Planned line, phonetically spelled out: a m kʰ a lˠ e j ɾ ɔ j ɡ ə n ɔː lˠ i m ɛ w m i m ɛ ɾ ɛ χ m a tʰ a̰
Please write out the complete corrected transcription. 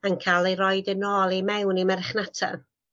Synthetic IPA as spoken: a n kʰ a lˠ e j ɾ ɔ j d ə n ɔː lˠ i m ɛ w n i m ɛ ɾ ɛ χ n a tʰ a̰